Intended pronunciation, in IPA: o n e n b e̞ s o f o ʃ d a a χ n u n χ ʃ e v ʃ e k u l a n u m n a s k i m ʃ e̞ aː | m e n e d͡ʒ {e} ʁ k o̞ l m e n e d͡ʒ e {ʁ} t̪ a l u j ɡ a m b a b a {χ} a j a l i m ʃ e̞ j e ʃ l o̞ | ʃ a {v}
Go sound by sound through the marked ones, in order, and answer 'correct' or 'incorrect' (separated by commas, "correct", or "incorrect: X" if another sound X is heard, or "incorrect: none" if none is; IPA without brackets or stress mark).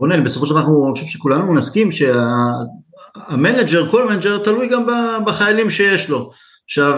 correct, correct, correct, correct